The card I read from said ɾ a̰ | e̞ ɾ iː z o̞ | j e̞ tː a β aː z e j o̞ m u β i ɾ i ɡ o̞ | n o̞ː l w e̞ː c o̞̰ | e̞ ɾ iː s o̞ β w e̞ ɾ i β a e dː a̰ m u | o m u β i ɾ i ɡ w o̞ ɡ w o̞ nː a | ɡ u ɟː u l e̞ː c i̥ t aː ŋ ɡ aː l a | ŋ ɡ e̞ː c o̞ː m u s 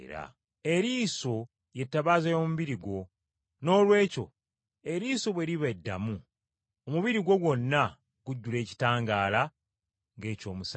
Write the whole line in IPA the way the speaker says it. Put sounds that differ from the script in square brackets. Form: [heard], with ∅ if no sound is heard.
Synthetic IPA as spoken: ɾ a̰ | e̞ ɾ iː [s] o̞ | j e̞ tː a β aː z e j o̞ m u β i ɾ i ɡ o̞ | n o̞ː l w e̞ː c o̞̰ | e̞ ɾ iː s o̞ β w e̞ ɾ i β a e dː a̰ m u | o m u β i ɾ i ɡ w o̞ ɡ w o̞ nː a | ɡ u ɟː u l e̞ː c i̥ t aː ŋ ɡ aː l a | ŋ ɡ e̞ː c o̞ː m u s

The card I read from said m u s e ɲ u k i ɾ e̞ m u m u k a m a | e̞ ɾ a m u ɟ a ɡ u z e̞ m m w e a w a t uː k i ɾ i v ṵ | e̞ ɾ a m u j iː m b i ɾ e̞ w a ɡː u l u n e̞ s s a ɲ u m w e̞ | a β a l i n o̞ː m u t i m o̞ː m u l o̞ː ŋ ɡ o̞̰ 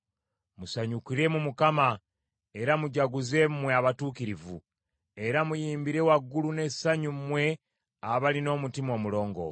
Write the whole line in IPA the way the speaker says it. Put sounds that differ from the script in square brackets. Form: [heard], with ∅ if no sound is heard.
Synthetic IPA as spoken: m u s [a] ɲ u k i ɾ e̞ m u m u k a m a | e̞ ɾ a m u ɟ a ɡ u z e̞ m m w e a [β] a t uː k i ɾ i v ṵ | e̞ ɾ a m u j iː m b i ɾ e̞ w a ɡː u l u n e̞ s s a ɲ u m w e̞ | a β a l i n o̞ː m u t i m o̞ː m u l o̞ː ŋ ɡ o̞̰

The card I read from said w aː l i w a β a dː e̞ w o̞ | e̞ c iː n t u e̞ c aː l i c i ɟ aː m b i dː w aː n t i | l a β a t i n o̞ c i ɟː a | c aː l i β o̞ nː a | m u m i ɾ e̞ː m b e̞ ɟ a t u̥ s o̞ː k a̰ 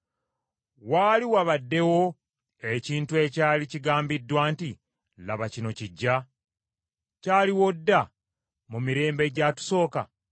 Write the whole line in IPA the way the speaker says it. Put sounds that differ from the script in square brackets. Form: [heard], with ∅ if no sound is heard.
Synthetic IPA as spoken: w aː l i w a β a dː e̞ w o̞ | e̞ c iː n t u e̞ c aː l i c i [ɡ] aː m b i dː w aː n t i | l a β a [c] i n o̞ c i ɟː a | c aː l i [w] o̞ [dː] a | m u m i ɾ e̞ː m b e̞ ɟ a t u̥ s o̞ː k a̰

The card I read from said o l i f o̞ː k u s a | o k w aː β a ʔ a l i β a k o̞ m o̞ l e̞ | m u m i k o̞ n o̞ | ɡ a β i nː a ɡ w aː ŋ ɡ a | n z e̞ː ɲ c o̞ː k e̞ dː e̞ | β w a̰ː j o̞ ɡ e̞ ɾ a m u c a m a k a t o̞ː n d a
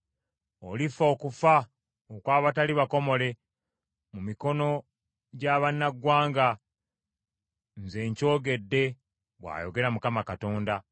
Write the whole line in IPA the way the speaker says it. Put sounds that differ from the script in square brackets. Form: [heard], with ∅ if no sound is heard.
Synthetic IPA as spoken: o l i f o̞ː k u [f] a | o k w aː β a [t] a l i β a k o̞ m o̞ l e̞ | m u m i k o̞ n o̞ | [ɟ] a β [a] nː a ɡ w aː ŋ ɡ a | n z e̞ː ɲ c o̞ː [ɡ] e̞ dː e̞ | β w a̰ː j o̞ ɡ e̞ ɾ a m u [k] a m a k a t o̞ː n d a

